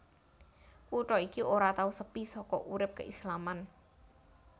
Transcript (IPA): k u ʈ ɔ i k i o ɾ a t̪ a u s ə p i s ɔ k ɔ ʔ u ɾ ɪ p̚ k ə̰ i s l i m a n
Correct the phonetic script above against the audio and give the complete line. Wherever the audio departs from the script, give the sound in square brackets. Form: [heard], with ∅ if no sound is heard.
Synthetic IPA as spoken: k u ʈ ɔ i k i o ɾ a t̪ a u s ə p i s ɔ k ɔ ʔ u ɾ ɪ p̚ k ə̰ i s l [a] m a n